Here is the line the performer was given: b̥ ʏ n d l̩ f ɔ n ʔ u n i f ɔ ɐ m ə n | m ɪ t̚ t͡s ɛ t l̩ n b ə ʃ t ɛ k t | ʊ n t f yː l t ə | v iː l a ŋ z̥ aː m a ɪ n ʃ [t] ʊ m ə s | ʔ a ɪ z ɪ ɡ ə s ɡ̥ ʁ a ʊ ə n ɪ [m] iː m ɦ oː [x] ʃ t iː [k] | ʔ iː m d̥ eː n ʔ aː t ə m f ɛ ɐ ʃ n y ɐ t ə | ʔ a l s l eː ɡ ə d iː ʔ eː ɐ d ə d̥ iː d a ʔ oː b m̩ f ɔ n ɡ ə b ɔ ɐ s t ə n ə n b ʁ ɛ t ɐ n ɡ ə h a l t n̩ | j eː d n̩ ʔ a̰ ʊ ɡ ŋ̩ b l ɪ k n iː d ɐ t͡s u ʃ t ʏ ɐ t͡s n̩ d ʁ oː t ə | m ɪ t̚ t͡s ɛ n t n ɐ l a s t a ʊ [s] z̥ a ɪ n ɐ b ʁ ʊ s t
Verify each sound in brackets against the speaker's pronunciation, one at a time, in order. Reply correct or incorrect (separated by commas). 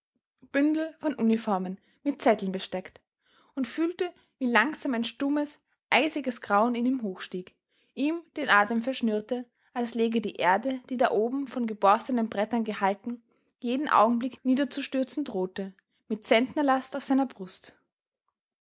correct, incorrect, correct, correct, incorrect